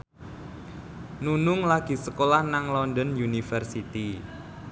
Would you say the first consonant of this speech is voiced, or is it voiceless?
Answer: voiced